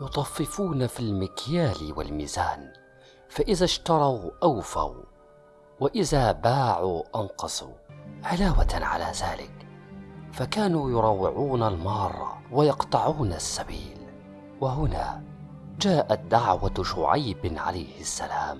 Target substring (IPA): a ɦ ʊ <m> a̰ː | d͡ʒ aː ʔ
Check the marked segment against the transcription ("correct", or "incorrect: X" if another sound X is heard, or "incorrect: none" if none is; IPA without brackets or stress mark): incorrect: n